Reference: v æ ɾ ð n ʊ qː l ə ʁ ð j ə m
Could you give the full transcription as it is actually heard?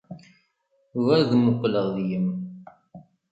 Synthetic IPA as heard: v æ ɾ ð m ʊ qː l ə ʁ ð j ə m